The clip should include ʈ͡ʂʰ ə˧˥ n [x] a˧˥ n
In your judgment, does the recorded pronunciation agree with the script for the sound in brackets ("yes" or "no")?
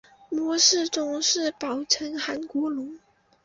yes